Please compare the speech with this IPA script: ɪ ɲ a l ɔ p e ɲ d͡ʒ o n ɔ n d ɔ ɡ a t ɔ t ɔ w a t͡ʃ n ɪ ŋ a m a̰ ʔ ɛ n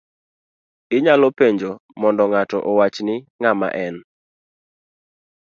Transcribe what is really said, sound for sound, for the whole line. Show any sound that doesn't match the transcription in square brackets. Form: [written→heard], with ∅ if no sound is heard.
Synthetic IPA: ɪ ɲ a l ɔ p e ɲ d͡ʒ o [n→m] ɔ n d ɔ [ɡ→ŋ] a t ɔ [t→ʔ] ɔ w a t͡ʃ n ɪ ŋ a m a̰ ʔ ɛ n